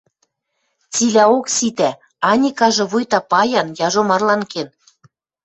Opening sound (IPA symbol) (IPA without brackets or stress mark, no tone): t͡s